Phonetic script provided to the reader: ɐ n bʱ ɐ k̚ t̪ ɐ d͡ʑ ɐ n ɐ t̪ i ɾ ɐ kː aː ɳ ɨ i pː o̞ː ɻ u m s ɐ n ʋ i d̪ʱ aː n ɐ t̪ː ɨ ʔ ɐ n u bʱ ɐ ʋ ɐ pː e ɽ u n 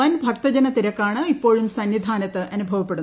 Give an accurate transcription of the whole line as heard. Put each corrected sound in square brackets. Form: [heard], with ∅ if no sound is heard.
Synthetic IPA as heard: ɐ n bʱ ɐ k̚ t̪ ɐ d͡ʑ ɐ n ɐ t̪ i ɾ ɐ kː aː ɳ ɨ i pː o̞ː ɻ u m s ɐ n ʋ i d̪ʱ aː n ɐ t̪ː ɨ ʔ ɐ n u bʱ ɐ ʋ ɐ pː e ɽ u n